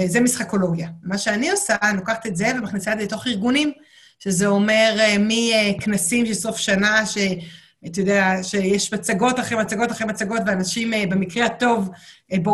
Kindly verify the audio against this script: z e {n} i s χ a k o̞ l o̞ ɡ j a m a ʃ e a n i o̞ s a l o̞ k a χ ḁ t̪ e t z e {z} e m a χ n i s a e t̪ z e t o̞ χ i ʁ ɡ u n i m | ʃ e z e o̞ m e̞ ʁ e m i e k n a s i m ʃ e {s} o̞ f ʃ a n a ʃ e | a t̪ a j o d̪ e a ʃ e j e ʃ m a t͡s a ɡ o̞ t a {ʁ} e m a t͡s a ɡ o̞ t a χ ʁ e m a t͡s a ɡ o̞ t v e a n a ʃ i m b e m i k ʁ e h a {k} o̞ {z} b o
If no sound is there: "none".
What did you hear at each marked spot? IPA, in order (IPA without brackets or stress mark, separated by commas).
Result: m, v, s, χ, t, v